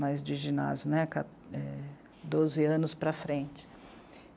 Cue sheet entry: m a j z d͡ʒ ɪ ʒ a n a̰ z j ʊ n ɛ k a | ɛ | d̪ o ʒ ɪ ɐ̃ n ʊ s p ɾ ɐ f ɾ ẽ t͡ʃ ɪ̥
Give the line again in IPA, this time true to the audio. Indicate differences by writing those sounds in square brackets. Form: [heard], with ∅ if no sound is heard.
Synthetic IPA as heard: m a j z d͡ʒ ɪ ʒ [i] n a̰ z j ʊ n ɛ k a | ɛ | d̪ o [z] ɪ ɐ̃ n ʊ s p ɾ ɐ f ɾ ẽ t͡ʃ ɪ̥